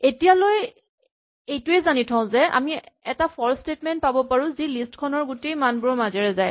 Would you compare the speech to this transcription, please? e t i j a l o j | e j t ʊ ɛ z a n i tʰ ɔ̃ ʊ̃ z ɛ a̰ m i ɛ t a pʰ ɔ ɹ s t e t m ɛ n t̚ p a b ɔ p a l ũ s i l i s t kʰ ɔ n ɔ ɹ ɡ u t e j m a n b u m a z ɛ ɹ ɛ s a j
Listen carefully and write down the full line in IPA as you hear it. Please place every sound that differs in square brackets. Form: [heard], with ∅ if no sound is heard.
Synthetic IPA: e t i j a l o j | e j t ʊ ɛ z a n i tʰ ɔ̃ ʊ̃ z ɛ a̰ m i ɛ t a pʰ ɔ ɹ s t e t m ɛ n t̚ p a b ɔ p a [ɹ] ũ [z] i l i s t kʰ ɔ n ɔ ɹ ɡ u t e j m a n b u m a z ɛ ɹ ɛ [z] a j